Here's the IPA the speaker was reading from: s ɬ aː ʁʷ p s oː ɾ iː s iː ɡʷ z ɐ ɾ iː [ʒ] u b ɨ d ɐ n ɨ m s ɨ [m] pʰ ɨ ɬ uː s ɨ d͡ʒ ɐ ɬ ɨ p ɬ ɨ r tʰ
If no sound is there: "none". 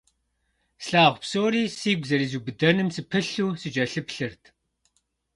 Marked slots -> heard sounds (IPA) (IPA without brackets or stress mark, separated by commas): z, none